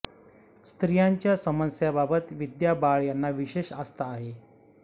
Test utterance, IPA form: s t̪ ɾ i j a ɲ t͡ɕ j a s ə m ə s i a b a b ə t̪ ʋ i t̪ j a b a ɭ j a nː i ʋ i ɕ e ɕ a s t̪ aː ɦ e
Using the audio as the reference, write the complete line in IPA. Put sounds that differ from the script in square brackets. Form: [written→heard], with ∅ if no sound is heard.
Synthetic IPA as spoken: s t̪ ɾ i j a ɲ t͡ɕ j a s ə m ə s [i→j] a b a b ə t̪ ʋ i [t̪→d̪] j a b a ɭ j a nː [i→a] ʋ i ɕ e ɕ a s t̪ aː ɦ e